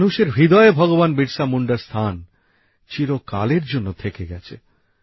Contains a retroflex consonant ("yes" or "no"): yes